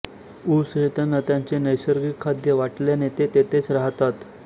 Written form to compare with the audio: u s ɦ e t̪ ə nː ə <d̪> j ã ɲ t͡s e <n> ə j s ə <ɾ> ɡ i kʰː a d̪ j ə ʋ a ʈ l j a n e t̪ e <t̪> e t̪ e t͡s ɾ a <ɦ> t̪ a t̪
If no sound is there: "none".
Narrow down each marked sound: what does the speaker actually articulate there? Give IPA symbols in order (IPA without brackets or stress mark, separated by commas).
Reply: t̪, n, ɾ, t̪, ɦ